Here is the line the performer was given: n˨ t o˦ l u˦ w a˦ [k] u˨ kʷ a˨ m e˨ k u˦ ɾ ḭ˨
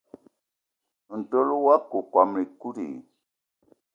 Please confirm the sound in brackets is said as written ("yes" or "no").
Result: yes